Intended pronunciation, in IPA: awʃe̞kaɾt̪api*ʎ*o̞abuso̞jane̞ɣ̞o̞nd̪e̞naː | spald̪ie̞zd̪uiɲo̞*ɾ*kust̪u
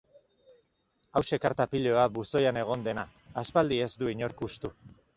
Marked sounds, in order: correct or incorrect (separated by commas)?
correct, correct